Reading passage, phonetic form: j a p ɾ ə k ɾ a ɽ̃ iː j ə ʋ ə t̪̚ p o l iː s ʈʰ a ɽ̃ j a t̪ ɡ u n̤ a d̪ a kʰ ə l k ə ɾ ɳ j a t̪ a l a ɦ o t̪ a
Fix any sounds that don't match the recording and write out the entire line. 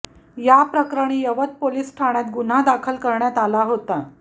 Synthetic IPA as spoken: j a p ɾ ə k ɾ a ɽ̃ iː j ə ʋ ə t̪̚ p o l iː s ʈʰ a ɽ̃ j a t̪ ɡ u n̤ a d̪ a kʰ ə l k ə ɾ ɳ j a t̪ a l a ɦ o t̪ a

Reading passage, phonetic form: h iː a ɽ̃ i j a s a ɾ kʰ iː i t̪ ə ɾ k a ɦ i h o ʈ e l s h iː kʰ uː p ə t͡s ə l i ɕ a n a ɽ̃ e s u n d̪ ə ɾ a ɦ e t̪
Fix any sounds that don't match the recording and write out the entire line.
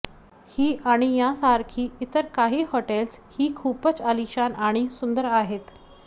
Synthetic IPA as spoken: h iː a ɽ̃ i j a s a ɾ kʰ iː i t̪ ə ɾ k a ɦ iː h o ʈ e l s h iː kʰ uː p ə t͡s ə l i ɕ a n a ɽ̃ i s u n d̪ ə ɾ a ɦ e t̪

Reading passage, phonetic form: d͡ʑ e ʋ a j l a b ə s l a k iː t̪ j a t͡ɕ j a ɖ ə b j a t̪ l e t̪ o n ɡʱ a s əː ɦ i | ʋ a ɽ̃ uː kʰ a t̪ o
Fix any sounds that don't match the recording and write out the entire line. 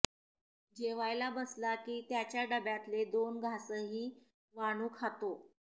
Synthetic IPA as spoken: d͡ʑ e ʋ a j l a b ə s l a k iː t̪ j a t͡ɕ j a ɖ ə b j a t̪ l e d̪ o n ɡʱ a s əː ɦ iː | ʋ a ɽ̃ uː kʰ a t̪ o

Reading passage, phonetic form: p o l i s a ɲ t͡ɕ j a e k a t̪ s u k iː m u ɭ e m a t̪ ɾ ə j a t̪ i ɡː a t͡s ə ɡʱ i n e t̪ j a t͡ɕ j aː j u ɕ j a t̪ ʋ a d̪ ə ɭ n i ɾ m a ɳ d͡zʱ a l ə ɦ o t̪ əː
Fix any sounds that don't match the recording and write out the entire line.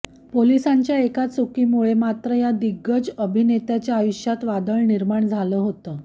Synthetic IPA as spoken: p o l i s a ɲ t͡ɕ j a e k a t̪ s u k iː m u ɭ e m a t̪ ɾ ə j a d̪ i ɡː ə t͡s ə bʱ i n e t̪ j a t͡ɕ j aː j u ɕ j a t̪ ʋ a d̪ ə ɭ n i ɾ m a ɳ d͡zʱ a l ə ɦ o t̪ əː

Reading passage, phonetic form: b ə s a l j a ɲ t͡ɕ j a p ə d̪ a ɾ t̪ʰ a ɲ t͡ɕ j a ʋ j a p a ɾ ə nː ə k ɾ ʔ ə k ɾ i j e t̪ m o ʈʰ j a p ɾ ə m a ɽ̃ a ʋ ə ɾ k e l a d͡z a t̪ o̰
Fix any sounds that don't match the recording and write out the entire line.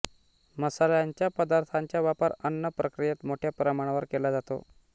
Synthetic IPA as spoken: m ə s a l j a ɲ t͡ɕ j a p ə d̪ a ɾ t̪ʰ a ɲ t͡ɕ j a ʋ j a p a ɾ ə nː ə p ɾ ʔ ə k ɾ i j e t̪ m o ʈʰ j a p ɾ ə m a ɽ̃ a ʋ ə ɾ k e l a d͡z a t̪ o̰

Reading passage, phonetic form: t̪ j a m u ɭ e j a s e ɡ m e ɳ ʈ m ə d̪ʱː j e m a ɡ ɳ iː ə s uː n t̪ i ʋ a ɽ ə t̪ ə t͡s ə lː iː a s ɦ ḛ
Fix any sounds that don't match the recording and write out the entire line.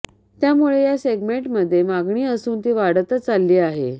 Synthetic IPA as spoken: t̪ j a m u ɭ e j a s e ɡ m e ɳ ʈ m ə d̪ʱː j e m a ɡ ɳ iː ə s uː n t̪ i ʋ a ɽ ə t̪ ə t͡s a lː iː a ɦ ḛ

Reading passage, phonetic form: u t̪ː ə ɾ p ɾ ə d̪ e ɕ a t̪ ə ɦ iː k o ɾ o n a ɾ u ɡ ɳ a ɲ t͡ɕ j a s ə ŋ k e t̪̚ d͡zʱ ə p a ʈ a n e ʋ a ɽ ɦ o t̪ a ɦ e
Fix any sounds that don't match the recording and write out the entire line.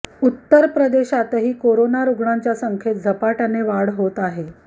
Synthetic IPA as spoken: u t̪ː ə ɾ p ɾ ə d̪ e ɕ a t̪ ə ɦ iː k o ɾ o n a ɾ u ɡ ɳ a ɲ t͡ɕ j a s ə ŋ kʰ e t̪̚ d͡zʱ ə p a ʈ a n e ʋ a ɽ ɦ o t̪ a ɦ e

